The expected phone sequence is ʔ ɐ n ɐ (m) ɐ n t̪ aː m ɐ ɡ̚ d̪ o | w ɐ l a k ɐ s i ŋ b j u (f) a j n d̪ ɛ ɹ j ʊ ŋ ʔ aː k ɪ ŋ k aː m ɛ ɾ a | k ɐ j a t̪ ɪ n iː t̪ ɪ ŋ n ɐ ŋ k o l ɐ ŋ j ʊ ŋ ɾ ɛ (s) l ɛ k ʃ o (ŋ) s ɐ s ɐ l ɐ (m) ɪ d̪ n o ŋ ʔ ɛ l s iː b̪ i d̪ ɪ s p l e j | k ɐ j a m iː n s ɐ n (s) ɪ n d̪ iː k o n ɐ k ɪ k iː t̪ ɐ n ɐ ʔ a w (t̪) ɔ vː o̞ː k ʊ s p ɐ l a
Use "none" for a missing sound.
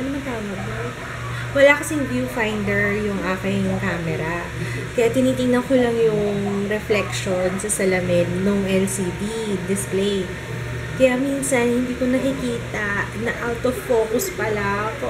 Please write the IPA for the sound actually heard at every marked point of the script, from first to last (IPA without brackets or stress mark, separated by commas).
m, f, f, n, m, h, t̪